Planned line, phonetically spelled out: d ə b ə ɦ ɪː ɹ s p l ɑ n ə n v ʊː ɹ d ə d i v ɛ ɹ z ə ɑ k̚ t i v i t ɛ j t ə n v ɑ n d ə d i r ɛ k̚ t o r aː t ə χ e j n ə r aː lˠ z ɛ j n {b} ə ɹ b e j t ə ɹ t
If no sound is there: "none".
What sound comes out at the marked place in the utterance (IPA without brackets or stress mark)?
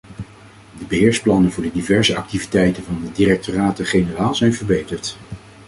v